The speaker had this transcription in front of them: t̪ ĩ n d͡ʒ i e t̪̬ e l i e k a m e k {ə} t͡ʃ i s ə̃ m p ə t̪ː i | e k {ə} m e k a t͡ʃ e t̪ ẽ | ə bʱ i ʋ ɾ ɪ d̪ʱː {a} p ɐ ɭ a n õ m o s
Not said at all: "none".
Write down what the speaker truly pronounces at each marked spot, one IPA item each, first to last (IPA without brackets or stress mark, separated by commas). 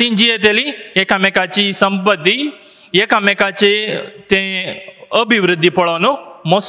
a, a, i